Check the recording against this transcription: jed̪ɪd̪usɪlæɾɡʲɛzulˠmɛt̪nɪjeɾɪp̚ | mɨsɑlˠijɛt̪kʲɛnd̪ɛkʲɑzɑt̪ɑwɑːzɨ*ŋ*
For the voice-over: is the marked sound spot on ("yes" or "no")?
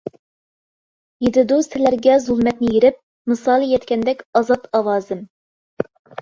no